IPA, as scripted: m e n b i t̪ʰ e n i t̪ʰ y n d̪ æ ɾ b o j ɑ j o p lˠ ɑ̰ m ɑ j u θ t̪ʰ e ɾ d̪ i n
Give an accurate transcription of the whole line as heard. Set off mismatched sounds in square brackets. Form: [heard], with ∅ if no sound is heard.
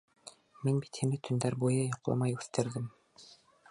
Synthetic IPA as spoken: m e n b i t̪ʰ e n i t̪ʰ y n d̪ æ ɾ b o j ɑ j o [q] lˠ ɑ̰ m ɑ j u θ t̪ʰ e ɾ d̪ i [m]